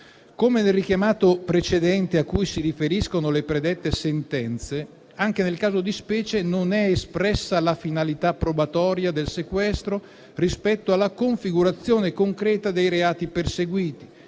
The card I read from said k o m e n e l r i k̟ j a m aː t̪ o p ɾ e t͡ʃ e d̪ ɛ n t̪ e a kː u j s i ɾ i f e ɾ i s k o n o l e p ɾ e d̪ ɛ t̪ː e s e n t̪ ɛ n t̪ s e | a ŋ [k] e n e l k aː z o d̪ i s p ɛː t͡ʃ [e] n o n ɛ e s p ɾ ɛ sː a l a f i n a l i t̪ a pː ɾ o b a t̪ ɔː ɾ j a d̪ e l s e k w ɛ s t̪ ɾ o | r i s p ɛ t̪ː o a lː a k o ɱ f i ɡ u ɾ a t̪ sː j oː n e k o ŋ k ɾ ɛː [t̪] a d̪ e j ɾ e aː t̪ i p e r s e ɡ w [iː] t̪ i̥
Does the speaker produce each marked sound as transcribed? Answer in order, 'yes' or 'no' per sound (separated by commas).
yes, yes, yes, yes